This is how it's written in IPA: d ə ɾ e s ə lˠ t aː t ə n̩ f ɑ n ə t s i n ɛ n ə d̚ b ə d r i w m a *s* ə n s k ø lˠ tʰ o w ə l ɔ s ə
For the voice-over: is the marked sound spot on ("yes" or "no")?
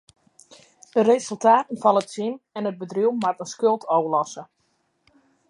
no